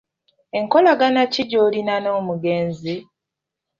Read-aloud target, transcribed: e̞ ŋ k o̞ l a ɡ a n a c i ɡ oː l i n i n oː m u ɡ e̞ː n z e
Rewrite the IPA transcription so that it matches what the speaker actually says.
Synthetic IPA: e̞ ŋ k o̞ l a ɡ a n a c i ɟ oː l i n a n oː m u ɡ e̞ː n z i